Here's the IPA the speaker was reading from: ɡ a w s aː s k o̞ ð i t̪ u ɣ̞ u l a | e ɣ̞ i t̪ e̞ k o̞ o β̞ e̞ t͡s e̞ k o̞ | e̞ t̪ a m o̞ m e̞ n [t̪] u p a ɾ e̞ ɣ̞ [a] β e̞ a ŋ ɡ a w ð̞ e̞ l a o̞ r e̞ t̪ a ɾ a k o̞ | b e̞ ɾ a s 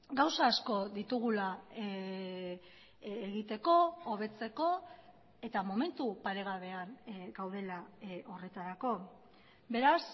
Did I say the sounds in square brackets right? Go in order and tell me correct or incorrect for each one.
correct, correct

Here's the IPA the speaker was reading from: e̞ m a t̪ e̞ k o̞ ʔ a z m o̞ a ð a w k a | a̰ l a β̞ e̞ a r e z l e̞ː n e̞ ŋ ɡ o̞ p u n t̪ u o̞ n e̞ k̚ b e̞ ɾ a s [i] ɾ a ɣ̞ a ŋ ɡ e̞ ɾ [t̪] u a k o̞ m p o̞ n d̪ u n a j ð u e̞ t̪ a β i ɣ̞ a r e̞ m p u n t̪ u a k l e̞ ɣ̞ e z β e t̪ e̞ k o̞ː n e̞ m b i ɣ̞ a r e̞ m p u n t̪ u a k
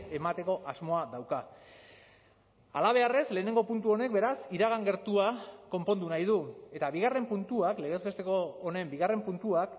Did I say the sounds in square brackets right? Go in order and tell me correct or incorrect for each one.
correct, correct

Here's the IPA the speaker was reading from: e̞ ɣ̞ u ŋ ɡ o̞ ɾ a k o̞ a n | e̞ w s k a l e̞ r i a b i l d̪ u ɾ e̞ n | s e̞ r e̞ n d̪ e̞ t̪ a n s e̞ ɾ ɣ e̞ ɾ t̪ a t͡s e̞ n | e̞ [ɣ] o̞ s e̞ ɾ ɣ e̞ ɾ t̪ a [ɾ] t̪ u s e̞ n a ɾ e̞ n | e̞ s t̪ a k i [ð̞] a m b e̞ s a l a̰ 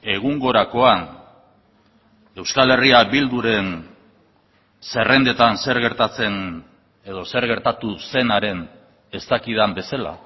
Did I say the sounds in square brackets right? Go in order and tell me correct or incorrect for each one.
incorrect: ð, incorrect: none, correct

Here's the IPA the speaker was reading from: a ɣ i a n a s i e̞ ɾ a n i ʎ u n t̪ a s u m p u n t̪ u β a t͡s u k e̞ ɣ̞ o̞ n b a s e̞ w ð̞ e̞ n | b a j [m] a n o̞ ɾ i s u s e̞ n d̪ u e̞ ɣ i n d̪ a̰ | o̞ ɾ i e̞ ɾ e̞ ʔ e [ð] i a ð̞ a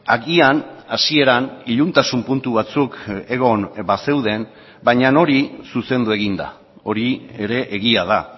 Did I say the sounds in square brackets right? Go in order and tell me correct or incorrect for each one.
incorrect: ɲ, incorrect: ɣ

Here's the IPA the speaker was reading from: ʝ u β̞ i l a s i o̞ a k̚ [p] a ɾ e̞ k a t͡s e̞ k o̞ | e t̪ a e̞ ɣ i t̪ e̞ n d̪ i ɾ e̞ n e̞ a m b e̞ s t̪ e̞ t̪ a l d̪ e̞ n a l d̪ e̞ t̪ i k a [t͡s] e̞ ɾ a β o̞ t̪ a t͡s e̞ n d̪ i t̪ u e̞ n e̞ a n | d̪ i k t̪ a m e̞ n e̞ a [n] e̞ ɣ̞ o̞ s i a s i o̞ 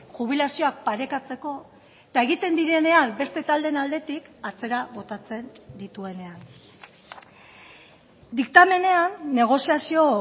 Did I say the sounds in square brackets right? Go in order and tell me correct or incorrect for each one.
correct, correct, incorrect: nː

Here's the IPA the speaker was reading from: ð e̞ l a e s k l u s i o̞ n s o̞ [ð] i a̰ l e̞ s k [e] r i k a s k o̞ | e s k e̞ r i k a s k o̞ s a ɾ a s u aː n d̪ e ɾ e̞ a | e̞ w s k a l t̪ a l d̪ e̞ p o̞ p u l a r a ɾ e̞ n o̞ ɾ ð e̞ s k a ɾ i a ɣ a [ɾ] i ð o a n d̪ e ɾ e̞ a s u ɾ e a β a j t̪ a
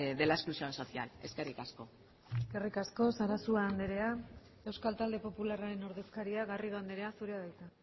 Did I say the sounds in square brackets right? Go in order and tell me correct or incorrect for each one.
incorrect: θ, correct, incorrect: r

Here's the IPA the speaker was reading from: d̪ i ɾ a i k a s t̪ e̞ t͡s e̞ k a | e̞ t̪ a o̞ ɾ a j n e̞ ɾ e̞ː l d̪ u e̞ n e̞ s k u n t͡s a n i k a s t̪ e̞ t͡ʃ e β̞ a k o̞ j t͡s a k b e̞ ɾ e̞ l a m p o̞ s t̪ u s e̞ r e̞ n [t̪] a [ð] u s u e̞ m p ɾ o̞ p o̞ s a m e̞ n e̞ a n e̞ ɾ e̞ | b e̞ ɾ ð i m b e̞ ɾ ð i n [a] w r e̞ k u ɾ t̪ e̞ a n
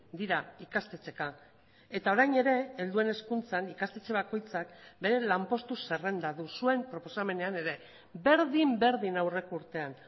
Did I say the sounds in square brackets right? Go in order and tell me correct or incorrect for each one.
incorrect: d̪, correct, correct

